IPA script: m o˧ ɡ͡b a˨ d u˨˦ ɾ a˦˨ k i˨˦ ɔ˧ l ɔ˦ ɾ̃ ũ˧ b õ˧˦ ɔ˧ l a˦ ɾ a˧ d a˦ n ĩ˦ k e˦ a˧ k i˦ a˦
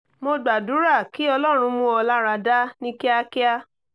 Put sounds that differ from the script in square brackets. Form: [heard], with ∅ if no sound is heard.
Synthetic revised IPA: m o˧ ɡ͡b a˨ d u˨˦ ɾ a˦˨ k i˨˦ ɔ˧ l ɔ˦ ɾ̃ ũ˧ [m] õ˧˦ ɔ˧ l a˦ ɾ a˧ d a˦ n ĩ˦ k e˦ a˧ k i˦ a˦